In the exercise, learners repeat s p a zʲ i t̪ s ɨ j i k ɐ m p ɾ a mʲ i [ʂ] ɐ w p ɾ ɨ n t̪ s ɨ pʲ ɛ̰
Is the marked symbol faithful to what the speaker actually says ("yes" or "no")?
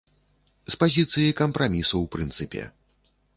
no